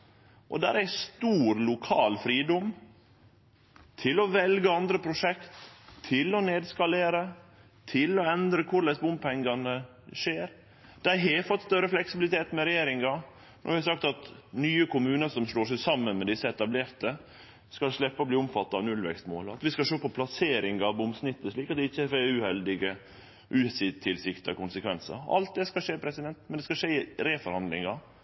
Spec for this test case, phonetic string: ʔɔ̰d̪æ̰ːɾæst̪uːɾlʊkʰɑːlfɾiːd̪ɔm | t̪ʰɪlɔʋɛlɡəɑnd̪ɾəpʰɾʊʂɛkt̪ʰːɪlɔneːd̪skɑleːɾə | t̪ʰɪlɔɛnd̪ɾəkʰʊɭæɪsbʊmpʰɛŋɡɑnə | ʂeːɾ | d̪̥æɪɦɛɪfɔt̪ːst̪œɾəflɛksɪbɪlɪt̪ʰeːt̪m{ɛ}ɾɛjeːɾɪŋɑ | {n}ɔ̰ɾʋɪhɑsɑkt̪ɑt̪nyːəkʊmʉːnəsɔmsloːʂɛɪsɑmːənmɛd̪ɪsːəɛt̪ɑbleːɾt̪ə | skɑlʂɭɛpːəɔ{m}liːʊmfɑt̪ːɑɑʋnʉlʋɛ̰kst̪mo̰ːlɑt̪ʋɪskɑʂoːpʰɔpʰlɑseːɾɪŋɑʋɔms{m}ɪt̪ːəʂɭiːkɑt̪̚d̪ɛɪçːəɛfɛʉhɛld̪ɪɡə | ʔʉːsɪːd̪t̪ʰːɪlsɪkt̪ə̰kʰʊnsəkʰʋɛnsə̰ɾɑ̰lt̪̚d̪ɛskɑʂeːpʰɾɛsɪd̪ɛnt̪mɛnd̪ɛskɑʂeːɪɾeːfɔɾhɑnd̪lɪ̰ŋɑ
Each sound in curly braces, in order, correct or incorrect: correct, correct, incorrect, incorrect

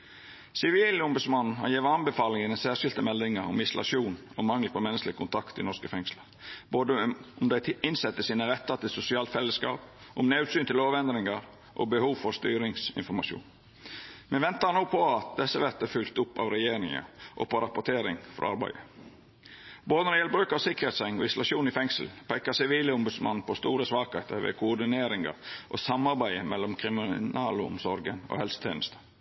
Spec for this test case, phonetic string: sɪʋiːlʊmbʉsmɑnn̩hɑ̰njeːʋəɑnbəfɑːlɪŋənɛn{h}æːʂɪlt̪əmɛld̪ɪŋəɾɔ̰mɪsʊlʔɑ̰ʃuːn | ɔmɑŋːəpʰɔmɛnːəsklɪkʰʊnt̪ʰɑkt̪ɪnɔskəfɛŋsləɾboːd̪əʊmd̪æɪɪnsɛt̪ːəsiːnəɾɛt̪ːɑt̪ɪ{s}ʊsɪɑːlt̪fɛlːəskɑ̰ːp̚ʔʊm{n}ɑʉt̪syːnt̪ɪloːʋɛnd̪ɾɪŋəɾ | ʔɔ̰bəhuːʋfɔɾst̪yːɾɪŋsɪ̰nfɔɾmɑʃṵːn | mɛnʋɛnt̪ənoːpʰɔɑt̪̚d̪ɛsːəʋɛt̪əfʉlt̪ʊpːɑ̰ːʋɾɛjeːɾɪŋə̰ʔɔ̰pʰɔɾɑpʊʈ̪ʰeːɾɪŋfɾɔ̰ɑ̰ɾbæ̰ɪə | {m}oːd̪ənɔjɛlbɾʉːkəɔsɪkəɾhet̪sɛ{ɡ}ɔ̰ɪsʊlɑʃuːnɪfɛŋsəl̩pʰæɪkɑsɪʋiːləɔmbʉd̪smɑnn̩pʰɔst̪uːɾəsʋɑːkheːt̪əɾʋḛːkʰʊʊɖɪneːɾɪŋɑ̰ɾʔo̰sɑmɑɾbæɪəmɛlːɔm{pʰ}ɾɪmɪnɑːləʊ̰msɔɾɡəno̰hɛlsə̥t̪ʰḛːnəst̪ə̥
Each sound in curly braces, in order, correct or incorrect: incorrect, correct, correct, incorrect, incorrect, incorrect

